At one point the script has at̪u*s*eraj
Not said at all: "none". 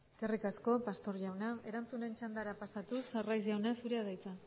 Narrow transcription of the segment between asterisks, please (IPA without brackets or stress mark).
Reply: s